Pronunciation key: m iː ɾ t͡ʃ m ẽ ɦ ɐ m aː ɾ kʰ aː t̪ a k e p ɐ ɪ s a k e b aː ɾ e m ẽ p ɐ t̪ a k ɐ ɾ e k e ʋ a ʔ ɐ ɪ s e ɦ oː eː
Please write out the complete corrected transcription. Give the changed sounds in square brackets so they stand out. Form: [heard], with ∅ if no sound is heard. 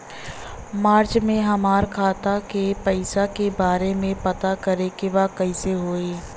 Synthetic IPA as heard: m [aː] ɾ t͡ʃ m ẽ ɦ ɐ m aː ɾ kʰ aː t̪ a k e p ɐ ɪ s a k e b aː ɾ e m ẽ p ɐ t̪ a k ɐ ɾ e k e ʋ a [k] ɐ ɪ s e ɦ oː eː